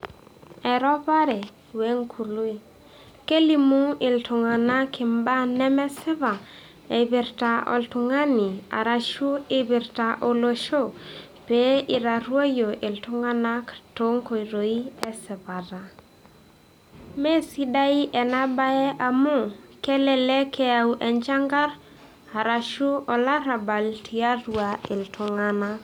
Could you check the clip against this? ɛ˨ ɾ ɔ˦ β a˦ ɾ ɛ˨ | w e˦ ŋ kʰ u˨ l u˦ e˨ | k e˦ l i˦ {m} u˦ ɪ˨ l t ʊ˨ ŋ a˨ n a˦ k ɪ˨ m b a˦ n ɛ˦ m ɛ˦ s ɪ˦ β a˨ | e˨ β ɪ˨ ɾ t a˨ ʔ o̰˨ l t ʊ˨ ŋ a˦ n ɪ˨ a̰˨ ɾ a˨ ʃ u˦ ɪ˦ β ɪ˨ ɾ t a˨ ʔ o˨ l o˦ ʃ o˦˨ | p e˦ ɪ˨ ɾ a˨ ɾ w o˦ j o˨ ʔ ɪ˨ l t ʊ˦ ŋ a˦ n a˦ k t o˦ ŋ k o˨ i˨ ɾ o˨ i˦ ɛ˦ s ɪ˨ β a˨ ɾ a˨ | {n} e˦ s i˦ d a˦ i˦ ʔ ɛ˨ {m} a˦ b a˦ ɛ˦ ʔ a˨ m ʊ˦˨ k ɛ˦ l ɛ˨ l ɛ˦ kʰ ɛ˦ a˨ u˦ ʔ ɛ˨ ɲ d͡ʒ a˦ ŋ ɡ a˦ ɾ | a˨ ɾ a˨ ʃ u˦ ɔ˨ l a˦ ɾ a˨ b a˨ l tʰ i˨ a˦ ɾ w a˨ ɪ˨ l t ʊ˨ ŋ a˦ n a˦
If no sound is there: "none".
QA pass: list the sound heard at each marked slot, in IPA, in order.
m, m, n

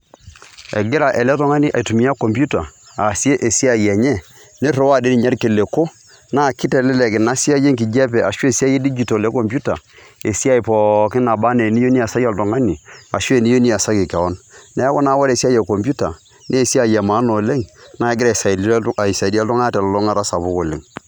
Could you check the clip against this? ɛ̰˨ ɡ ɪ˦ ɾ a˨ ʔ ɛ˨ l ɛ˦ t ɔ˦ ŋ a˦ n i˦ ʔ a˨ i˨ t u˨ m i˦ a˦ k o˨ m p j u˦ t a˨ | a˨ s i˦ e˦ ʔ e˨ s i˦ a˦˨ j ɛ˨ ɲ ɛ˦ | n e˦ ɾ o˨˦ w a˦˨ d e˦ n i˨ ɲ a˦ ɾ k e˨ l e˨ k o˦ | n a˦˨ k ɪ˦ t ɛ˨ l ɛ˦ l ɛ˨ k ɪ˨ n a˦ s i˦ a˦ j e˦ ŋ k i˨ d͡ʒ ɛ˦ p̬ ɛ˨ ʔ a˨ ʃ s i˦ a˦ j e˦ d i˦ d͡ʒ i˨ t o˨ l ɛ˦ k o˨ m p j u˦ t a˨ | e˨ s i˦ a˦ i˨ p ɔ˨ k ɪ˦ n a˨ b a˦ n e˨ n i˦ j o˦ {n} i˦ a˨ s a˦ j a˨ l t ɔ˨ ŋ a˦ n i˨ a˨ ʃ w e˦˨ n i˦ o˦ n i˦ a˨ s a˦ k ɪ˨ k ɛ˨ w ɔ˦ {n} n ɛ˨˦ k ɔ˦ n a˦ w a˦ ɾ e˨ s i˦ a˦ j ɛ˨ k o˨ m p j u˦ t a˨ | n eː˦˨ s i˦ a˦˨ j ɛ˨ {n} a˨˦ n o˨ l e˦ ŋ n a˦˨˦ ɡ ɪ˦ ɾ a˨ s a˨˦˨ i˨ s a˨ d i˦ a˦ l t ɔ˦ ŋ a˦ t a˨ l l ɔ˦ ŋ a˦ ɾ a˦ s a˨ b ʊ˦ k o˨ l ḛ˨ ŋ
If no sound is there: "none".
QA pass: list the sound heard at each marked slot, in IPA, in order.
n, n, m

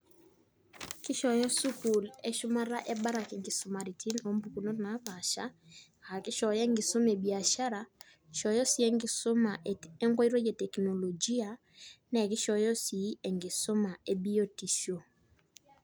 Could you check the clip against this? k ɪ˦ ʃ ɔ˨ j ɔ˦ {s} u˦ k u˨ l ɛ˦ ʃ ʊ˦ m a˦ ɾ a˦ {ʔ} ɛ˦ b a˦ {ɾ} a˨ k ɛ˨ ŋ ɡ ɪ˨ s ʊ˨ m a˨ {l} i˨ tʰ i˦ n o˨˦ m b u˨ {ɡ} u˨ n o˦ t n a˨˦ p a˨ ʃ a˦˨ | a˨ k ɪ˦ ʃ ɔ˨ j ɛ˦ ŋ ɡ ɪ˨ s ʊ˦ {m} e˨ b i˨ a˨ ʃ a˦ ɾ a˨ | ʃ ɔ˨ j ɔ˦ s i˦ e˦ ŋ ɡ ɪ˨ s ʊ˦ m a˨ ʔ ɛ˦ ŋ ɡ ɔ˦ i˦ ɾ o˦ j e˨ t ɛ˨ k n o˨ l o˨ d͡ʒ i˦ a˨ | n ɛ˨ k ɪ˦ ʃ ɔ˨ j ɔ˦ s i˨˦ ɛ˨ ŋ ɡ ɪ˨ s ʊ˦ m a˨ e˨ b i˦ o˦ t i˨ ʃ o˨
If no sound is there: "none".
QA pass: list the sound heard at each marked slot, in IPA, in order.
s, ʔ, ɾ, ɾ, k, m

